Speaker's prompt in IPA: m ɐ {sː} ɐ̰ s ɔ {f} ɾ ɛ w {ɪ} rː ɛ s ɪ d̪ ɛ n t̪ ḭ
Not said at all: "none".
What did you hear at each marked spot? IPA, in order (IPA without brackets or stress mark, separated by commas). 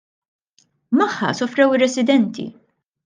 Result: ħː, f, ɪ